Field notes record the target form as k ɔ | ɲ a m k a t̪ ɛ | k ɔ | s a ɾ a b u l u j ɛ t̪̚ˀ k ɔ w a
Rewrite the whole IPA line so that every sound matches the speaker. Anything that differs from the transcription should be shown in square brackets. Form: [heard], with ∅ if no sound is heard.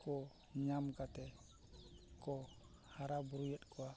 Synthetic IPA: k ɔ | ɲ a m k a t̪ ɛ | k ɔ | [h] a ɾ a b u [ɾ] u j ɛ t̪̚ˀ k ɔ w a